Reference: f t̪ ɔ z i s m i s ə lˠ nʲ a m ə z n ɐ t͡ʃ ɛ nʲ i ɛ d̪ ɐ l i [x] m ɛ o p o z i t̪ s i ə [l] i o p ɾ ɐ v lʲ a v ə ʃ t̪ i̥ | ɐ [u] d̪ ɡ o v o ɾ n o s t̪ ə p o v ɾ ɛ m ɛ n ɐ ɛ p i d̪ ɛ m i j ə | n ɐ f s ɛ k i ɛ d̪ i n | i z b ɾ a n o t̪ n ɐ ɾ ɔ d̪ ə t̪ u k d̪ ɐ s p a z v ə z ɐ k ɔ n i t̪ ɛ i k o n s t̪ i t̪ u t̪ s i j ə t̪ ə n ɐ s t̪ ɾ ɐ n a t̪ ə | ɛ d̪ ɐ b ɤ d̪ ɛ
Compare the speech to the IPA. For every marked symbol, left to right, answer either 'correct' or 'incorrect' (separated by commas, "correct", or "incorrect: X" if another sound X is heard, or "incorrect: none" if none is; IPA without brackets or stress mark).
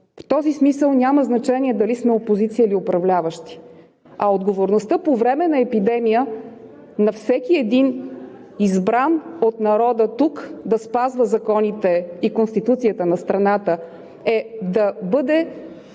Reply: incorrect: s, correct, incorrect: o